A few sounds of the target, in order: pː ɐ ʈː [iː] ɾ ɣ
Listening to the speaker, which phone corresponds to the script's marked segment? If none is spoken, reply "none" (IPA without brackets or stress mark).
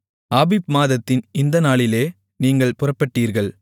iː